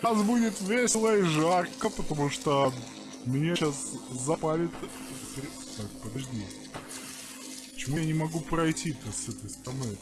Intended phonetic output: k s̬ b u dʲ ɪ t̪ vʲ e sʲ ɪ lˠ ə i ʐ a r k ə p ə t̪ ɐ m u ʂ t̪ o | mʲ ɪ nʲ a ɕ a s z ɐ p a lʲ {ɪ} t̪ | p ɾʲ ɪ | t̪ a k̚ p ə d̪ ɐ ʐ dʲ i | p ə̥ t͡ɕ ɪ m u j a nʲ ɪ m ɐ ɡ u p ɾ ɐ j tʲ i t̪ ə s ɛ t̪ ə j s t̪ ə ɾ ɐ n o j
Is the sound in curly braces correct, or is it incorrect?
correct